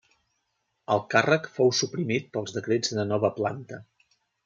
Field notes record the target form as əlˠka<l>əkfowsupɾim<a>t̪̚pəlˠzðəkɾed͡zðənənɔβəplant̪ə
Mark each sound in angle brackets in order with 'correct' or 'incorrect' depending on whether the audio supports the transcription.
incorrect: r, incorrect: i

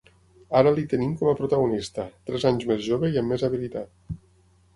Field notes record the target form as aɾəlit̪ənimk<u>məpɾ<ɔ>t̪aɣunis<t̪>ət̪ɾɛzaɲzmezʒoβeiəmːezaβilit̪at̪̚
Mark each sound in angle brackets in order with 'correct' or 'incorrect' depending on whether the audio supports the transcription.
incorrect: ɔ, incorrect: u, correct

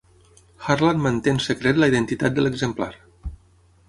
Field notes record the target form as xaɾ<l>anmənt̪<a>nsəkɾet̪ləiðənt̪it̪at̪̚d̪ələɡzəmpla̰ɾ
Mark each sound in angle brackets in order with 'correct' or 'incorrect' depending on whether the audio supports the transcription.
correct, incorrect: e

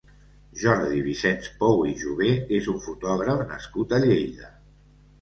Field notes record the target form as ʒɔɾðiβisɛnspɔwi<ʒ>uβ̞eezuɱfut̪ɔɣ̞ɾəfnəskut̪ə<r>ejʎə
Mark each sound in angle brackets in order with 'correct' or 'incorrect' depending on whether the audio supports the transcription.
correct, incorrect: ʎ

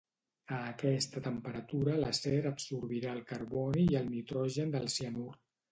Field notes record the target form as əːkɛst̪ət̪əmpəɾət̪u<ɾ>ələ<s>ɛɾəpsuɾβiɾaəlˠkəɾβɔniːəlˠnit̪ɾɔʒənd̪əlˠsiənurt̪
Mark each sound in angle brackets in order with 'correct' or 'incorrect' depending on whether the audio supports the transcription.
correct, correct

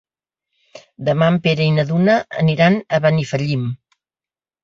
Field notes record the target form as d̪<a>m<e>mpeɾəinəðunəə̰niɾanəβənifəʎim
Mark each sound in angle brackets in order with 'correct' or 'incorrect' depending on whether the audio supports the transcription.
incorrect: ə, incorrect: a

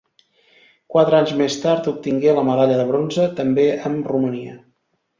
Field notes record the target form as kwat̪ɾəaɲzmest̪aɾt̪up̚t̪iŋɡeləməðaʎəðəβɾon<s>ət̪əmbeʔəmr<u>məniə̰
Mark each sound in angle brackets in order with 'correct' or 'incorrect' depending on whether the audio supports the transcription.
incorrect: z, correct

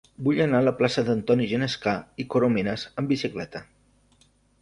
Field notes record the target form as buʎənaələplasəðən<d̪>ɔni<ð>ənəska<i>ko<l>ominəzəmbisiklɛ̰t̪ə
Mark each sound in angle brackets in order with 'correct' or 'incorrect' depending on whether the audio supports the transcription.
incorrect: t̪, incorrect: ʒ, correct, incorrect: ɾ

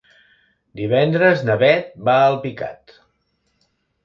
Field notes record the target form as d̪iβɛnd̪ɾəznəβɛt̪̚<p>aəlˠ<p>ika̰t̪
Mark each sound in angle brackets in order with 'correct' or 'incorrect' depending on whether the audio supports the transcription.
incorrect: b, correct

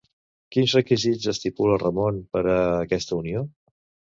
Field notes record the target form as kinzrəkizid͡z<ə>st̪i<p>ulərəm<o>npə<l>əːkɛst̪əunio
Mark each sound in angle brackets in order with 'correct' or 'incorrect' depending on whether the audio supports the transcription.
correct, correct, correct, incorrect: ɾ

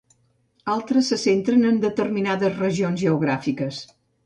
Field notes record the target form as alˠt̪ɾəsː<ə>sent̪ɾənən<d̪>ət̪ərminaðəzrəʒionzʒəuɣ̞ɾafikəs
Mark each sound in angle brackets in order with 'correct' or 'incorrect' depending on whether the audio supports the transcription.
correct, correct

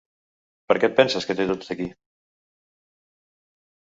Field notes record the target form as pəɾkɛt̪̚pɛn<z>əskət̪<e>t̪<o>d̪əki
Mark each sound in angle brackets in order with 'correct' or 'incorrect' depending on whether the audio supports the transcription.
incorrect: s, correct, correct

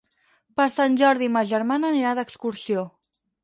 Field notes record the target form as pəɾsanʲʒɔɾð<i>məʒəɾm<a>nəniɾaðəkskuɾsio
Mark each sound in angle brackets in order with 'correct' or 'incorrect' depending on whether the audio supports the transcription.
correct, correct

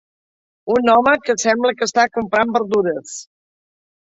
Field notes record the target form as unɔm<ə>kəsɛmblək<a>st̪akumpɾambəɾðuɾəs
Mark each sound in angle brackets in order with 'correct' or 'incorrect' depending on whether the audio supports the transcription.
correct, incorrect: ə

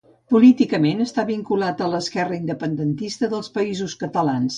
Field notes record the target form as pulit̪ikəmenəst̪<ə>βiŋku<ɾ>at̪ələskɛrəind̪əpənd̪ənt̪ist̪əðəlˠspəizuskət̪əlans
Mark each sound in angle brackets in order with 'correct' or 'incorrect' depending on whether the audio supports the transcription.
incorrect: a, incorrect: l

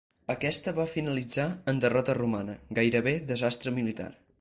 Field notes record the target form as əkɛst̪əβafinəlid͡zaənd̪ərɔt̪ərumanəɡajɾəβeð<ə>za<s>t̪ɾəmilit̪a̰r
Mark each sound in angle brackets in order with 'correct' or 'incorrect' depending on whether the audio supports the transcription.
correct, correct

